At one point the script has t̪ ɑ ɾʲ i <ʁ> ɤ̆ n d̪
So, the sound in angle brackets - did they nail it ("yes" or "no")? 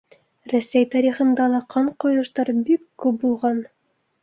no